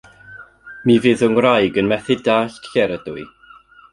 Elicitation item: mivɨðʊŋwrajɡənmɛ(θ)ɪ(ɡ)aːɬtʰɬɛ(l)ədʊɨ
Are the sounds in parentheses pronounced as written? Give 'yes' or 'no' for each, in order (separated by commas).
yes, no, no